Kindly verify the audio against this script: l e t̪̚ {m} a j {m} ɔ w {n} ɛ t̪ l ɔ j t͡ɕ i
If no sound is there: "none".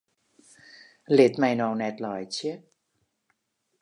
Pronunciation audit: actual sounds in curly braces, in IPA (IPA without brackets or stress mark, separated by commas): m, n, n